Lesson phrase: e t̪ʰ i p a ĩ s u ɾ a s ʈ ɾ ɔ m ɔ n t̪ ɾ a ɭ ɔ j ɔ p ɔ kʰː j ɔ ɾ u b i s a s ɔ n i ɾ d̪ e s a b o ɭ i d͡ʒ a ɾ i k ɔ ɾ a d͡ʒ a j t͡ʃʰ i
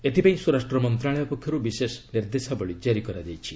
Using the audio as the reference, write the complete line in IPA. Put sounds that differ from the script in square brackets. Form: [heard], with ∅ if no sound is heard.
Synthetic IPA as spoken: e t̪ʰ i p a ĩ s u ɾ a s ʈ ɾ ɔ m ɔ n t̪ ɾ a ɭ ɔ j ɔ p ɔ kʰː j ɔ ɾ u b i s [e] s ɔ n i ɾ d̪ e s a b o ɭ i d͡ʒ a ɾ i k ɔ ɾ a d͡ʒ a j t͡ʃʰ i